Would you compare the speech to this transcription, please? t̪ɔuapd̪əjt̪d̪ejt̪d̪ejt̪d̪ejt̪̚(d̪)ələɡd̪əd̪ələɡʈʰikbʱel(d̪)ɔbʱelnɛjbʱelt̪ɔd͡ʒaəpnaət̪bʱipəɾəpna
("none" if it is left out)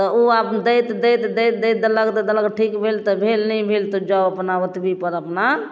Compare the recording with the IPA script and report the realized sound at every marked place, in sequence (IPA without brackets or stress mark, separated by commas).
d̪, t̪